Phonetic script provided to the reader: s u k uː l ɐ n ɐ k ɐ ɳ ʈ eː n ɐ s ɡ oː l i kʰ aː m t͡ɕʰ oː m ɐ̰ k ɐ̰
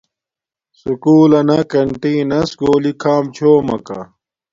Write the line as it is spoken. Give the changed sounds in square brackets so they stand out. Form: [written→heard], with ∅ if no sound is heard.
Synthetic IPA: s u k uː l ɐ n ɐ k ɐ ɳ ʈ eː n ɐ s ɡ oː l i kʰ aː m t͡ɕʰ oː m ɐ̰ k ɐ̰